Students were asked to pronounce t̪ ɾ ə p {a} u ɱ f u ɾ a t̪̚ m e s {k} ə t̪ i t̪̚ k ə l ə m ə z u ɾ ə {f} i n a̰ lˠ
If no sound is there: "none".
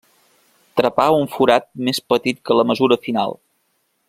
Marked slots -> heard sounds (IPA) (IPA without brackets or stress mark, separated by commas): a, p, f